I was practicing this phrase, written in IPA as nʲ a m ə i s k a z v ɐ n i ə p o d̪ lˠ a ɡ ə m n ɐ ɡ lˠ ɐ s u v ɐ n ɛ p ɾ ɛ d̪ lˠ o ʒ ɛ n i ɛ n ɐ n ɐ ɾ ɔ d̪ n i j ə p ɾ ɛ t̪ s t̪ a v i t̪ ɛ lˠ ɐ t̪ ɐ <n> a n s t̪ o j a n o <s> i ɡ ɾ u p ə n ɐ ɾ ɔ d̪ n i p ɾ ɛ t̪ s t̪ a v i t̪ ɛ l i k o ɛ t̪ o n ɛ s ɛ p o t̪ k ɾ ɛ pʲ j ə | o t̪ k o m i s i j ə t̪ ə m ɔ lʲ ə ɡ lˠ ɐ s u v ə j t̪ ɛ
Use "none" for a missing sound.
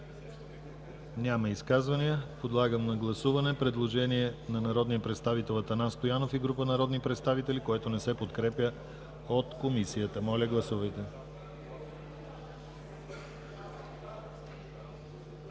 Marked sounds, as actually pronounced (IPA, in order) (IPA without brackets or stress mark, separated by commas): n, f